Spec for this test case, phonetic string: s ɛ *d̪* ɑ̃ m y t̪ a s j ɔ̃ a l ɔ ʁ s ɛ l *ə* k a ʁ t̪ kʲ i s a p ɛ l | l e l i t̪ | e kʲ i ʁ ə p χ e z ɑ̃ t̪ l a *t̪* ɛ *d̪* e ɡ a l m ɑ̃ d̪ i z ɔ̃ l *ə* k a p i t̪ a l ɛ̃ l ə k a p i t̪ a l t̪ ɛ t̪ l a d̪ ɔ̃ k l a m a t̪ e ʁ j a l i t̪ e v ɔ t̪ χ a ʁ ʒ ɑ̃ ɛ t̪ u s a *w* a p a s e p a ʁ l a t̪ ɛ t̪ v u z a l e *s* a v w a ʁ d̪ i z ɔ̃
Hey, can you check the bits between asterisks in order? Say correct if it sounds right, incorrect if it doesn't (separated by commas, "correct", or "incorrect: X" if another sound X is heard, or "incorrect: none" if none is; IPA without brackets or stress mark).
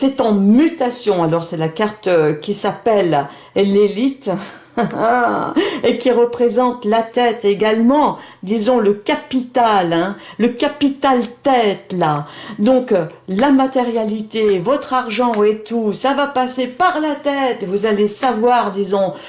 incorrect: t̪, incorrect: a, correct, incorrect: t̪, correct, incorrect: v, correct